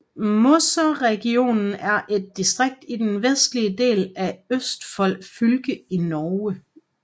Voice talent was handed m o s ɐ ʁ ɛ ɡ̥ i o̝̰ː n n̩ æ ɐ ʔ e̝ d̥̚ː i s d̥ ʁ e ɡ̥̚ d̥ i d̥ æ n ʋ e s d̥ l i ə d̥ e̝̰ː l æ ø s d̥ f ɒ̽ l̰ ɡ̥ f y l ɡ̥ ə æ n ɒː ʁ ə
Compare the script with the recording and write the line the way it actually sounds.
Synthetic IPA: m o s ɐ ʁ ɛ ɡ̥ i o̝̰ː n n̩ æ ɐ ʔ e̝ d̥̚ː i s d̥ ʁ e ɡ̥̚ d̥ i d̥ e n ʋ e s d̥ l i ə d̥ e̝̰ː l æ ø s d̥ f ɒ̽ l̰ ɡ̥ f y l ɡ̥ ə i n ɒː ə